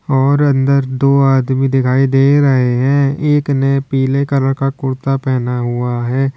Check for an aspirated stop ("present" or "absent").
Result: present